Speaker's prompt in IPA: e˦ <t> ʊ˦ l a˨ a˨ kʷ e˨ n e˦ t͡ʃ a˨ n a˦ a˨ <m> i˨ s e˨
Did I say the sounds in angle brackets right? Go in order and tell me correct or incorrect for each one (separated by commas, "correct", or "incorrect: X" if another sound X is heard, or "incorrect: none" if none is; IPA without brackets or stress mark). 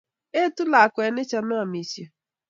correct, correct